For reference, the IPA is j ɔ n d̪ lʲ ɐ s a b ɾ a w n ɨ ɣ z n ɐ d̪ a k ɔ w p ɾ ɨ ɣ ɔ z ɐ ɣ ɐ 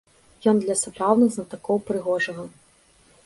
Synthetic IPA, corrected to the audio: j ɔ n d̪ lʲ ɐ s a p ɾ a w n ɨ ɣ z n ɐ t̪ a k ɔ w p ɾ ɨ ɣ ɔ ʐ ɐ ɣ ɐ